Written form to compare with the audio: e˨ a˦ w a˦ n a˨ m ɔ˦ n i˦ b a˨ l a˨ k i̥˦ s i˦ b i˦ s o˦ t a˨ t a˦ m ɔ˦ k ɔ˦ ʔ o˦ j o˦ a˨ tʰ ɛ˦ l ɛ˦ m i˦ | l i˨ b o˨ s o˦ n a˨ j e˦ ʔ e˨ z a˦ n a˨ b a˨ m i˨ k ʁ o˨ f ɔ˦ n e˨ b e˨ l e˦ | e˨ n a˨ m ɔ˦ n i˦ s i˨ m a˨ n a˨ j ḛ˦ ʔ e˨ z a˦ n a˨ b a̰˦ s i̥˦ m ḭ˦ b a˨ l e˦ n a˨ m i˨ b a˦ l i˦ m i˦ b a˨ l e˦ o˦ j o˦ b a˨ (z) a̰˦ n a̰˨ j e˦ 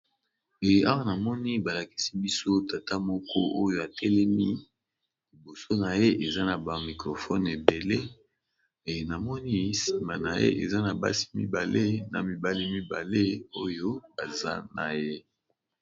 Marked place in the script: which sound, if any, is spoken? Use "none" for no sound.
z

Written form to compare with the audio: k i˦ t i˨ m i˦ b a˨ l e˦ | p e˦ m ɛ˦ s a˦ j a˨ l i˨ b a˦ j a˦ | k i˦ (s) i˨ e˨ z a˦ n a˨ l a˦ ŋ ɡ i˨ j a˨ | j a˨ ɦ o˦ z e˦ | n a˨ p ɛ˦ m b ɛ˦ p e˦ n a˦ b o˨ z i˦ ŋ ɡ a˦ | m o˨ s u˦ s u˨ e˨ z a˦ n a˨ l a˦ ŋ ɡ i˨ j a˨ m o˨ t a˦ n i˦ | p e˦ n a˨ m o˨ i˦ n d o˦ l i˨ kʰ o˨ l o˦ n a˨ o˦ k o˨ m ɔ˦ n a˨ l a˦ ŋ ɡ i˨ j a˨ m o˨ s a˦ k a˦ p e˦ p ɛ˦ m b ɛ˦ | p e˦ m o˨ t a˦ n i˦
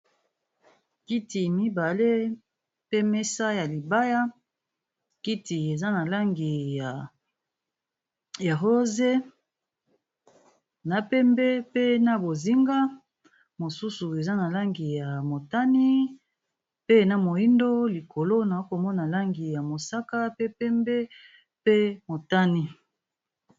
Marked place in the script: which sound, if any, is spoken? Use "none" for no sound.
t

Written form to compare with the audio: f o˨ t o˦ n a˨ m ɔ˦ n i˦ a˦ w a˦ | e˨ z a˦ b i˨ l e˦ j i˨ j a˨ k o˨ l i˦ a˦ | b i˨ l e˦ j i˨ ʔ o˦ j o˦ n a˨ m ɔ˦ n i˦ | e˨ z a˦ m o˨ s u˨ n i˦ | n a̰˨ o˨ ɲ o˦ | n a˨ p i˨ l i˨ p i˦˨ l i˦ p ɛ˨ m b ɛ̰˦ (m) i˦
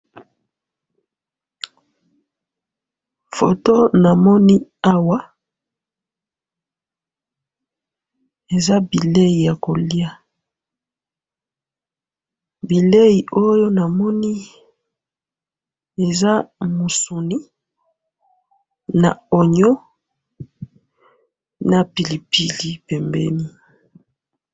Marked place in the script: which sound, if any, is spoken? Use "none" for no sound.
n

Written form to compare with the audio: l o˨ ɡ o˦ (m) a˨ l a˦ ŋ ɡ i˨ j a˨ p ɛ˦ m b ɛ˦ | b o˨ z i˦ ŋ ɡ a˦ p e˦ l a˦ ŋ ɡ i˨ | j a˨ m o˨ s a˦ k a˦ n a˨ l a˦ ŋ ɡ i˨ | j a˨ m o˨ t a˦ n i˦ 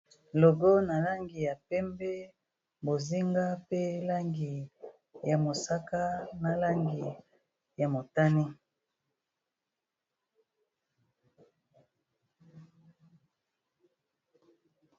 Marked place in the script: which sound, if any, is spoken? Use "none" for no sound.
n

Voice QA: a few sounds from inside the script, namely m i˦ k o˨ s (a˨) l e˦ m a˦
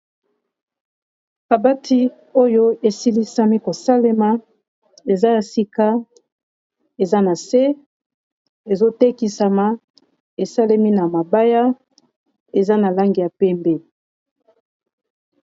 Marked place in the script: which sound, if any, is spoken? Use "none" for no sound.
a˦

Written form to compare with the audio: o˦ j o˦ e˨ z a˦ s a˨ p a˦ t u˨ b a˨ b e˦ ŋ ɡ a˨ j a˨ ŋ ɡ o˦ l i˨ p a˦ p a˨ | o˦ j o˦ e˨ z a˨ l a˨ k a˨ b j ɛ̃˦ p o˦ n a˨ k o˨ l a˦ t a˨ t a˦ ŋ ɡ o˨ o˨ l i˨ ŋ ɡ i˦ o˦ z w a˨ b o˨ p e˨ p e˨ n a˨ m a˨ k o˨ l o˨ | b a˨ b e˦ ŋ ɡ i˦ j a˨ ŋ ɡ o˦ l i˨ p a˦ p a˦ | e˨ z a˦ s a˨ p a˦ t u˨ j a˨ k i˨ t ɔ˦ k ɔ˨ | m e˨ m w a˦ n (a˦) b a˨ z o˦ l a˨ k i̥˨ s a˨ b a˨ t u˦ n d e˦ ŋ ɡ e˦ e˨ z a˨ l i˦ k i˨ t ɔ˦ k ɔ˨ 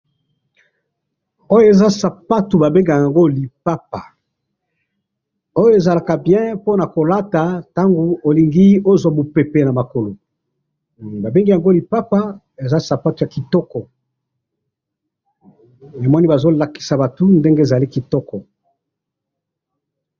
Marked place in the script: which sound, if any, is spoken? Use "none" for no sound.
i˦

